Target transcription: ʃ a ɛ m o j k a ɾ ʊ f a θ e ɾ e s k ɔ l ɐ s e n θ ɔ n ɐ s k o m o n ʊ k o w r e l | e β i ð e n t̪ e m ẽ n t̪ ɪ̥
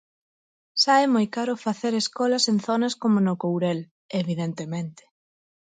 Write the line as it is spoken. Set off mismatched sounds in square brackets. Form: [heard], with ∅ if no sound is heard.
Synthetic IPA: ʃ a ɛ m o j k a ɾ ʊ f a θ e ɾ e s k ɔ l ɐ s e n θ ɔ n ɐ s k o m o n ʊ k o w [ɾ] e l | e β i ð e n t̪ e m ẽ n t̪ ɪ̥